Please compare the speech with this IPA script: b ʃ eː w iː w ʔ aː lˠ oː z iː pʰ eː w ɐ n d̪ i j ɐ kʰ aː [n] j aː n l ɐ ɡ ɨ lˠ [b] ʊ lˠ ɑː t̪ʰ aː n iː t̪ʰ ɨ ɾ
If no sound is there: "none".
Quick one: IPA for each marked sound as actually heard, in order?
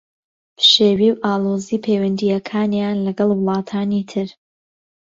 n, w

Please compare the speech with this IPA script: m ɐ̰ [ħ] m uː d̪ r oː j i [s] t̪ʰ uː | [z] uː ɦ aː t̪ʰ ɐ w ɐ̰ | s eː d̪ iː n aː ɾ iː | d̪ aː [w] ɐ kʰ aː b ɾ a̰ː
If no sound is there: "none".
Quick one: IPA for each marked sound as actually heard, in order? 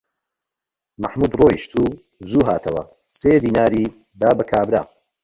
ħ, ʃ, z, b

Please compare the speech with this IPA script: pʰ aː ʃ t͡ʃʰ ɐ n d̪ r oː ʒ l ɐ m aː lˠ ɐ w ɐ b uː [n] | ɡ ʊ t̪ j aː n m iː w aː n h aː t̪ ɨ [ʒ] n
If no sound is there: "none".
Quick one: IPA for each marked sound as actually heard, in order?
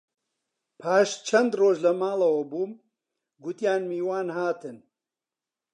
m, none

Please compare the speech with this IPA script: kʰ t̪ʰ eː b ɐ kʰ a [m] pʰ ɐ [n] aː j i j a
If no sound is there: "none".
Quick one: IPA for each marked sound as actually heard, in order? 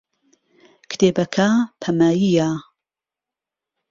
none, m

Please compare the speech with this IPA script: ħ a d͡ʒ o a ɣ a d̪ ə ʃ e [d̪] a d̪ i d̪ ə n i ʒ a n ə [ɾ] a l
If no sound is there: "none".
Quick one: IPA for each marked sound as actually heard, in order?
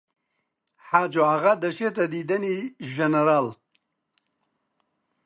t̪, ɾ

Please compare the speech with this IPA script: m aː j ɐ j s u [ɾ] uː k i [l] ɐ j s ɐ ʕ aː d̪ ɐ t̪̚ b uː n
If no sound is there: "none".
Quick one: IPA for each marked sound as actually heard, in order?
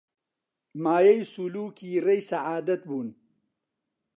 l, ɾ

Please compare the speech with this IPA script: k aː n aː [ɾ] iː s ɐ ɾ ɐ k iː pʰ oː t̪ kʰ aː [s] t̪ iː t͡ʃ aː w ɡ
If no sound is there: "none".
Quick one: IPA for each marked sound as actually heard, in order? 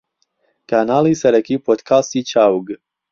l, s

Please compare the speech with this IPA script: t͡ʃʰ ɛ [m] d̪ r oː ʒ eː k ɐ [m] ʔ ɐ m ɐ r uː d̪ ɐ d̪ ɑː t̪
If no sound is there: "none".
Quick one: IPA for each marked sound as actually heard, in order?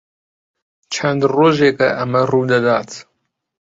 n, none

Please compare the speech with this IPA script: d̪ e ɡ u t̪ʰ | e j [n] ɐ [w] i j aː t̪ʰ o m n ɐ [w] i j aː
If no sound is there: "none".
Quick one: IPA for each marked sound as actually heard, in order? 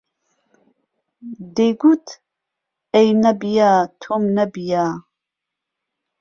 n, b, b

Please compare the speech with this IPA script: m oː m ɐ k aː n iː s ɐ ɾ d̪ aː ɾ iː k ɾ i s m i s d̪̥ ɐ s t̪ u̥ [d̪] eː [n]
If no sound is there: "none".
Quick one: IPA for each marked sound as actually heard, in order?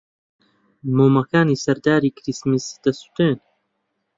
t̪, n

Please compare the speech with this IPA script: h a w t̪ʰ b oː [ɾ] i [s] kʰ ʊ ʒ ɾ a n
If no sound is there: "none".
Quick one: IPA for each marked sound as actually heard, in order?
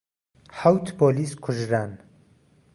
l, s

